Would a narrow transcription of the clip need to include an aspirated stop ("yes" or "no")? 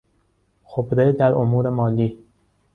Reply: no